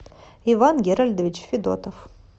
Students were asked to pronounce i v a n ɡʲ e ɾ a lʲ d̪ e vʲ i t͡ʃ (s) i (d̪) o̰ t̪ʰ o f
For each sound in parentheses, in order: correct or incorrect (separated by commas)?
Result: incorrect, correct